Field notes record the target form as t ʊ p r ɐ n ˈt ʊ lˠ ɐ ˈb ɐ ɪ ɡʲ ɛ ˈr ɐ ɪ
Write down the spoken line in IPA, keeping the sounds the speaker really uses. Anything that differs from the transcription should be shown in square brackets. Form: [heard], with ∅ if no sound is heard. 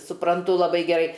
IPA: [s] ʊ p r ɐ n ˈt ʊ lˠ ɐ ˈb ɐ ɪ ɡʲ ɛ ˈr ɐ ɪ